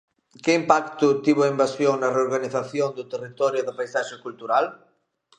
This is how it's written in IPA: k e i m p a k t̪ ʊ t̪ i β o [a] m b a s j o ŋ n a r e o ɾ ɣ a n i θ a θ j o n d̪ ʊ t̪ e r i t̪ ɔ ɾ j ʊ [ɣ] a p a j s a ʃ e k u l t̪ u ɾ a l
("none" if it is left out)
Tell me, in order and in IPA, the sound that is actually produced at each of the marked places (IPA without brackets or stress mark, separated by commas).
i, ð